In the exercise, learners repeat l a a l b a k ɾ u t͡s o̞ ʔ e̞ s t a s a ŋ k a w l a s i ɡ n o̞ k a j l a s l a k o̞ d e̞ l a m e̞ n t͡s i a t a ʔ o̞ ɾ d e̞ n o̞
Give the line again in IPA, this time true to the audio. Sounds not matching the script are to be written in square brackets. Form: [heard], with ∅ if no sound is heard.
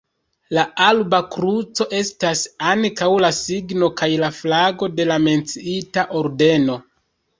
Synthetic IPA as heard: l a a l b a k ɾ u t͡s o̞ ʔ e̞ s t a s a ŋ k a w l a s i ɡ n o̞ k a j l a [f] l a [ɡ] o̞ d e̞ l a m e̞ n t͡s i [i] t a ʔ o̞ ɾ d e̞ n o̞